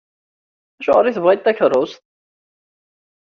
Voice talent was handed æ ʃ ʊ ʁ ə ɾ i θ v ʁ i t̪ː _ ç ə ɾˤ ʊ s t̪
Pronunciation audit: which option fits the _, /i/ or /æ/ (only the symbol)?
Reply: æ